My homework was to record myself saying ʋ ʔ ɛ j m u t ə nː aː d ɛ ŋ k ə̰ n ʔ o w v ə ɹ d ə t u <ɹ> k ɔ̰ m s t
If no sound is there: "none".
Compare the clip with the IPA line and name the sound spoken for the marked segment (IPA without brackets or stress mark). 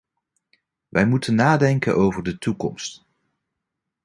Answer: none